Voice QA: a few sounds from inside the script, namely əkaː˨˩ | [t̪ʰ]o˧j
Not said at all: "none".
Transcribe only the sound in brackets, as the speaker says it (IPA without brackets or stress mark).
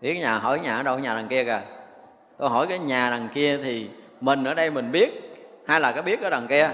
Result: t̪